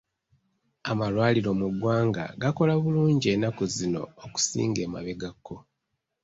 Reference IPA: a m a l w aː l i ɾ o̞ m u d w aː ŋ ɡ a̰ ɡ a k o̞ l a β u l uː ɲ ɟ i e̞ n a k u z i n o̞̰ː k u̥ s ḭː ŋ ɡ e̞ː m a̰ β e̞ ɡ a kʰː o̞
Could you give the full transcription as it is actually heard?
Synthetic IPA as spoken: a m a l w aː l i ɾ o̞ m u ɡ w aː ŋ ɡ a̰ ɡ a k o̞ l a β u l uː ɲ ɟ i e̞ n a k u z i n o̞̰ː k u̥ s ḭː ŋ ɡ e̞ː m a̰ β e̞ ɡ a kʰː o̞

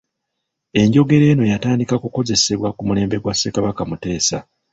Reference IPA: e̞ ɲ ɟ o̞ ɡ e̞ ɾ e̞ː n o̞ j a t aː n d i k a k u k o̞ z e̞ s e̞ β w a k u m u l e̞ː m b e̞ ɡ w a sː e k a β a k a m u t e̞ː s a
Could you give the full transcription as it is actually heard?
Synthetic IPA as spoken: e̞ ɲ ɟ o̞ ɡ e̞ ɾ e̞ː n o̞ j a t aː n d i k a k u k o̞ z e̞ s e̞ β w a k u m u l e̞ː m b e̞ ɡ w a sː e k a β a k a m u t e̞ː s a

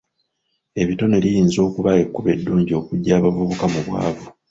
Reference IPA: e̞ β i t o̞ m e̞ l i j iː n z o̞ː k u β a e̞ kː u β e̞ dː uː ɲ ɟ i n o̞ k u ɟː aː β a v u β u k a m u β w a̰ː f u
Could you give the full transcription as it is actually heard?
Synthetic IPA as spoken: e̞ β i t o̞ n e̞ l i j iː n z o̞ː k u β a e̞ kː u β e̞ dː uː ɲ ɟ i o̞ k u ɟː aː β a v u β u k a m u β w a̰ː v u

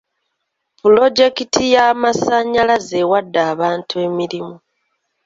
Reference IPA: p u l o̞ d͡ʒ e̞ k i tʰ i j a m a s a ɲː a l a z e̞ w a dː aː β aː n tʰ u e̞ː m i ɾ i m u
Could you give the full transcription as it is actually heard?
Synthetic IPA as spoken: p u l o̞ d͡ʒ e̞ k i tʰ i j a m a s a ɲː a l a z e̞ w a dː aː β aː n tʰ u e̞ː m i ɾ i m u

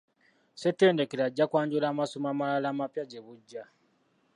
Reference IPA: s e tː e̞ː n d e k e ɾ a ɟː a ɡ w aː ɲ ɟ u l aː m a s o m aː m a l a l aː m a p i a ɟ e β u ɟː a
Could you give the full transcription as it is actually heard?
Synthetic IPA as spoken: s e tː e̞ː n d e k e ɾ a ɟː a k w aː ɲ ɟ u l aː m a s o m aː m a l a l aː m a p j a ɟ e β u ɟː a

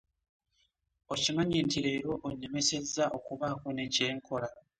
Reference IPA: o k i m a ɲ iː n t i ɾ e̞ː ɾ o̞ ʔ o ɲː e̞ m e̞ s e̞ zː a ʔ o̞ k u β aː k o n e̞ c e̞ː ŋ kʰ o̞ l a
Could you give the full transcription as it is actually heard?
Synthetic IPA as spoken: o c i m a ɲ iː n t i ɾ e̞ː ɾ o̞ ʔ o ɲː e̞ m e̞ s e̞ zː a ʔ o̞ k u β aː k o n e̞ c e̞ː ŋ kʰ o̞ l a

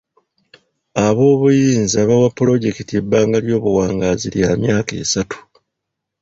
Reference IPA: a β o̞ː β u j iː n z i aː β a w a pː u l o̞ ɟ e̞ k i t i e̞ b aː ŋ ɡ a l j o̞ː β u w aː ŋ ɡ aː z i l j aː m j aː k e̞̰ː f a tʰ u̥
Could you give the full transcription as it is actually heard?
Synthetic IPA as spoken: a β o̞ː β u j iː n z i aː β a w a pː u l o̞ ɟ e̞ k i t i e̞ b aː ŋ ɡ a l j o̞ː β u w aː ŋ ɡ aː z i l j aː m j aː k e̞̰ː s a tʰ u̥

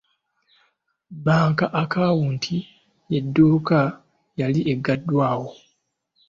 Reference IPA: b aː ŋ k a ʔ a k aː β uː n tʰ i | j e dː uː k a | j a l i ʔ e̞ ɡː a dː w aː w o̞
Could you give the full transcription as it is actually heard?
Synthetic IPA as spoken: b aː ŋ k a ʔ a k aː w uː n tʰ i | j e dː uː k a | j a l i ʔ e̞ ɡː a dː w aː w o̞

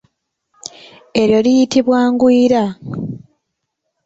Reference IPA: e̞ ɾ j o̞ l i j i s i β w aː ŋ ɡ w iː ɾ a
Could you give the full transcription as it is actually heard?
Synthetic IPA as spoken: e̞ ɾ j o̞ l i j i t i β w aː ŋ ɡ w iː ɾ a

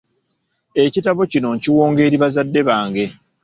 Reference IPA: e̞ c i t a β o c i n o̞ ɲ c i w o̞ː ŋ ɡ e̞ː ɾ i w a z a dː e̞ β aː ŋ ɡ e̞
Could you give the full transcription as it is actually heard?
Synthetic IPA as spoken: e̞ c i t a β o c i n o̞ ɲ c i w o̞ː ŋ ɡ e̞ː ɾ i β a z a dː e̞ β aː ŋ ɡ e̞

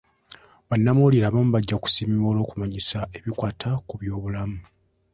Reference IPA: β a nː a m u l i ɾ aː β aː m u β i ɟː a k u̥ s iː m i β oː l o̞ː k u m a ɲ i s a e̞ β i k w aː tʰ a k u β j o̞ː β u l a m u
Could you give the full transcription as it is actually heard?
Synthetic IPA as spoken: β a nː a m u l i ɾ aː β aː m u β a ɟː a k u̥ s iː m i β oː l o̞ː k u m a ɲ i s a e̞ β i k w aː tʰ a k u β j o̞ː β u l a m u

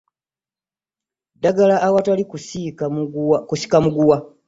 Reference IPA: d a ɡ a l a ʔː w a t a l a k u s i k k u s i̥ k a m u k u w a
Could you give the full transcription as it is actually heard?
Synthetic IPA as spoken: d a ɡ a l a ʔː w a t a l i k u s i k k u s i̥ k a m u ɡ u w a

